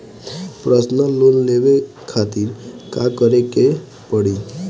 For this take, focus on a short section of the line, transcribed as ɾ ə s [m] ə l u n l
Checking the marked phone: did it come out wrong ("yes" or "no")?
yes